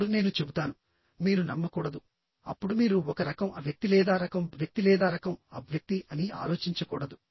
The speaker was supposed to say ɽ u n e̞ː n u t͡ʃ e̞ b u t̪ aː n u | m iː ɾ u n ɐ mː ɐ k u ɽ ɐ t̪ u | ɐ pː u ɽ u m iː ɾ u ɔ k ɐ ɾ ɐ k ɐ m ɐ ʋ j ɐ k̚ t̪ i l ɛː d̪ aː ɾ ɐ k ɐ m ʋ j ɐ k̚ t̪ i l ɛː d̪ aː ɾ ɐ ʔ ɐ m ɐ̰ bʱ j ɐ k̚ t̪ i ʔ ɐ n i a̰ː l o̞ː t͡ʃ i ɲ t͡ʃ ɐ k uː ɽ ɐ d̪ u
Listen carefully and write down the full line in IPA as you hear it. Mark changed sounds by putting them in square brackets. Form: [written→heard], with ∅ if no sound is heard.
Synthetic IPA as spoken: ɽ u n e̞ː n u t͡ʃ e̞ b u t̪ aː n u | m iː ɾ u n ɐ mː ɐ k [u→uː] ɽ ɐ [t̪→d̪] u | ɐ pː u ɽ u m iː ɾ u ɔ k ɐ ɾ ɐ k ɐ m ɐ ʋ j ɐ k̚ t̪ i l ɛː d̪ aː ɾ ɐ k ɐ m ʋ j ɐ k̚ t̪ i l ɛː d̪ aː ɾ ɐ [ʔ→k] ɐ m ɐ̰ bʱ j ɐ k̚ t̪ i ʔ ɐ n i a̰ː l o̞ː t͡ʃ i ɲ t͡ʃ ɐ k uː ɽ ɐ d̪ u